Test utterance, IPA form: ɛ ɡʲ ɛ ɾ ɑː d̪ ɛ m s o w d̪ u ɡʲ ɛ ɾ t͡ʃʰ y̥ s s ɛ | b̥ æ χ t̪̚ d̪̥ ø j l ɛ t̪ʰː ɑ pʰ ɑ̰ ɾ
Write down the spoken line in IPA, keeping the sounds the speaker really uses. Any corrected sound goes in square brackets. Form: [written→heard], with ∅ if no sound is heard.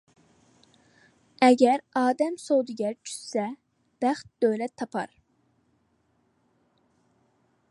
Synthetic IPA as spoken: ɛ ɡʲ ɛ ɾ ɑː d̪ ɛ m s o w d̪ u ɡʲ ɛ ɾ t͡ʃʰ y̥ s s ɛ | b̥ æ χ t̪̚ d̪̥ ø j l ɛ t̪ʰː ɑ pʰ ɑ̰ ɾ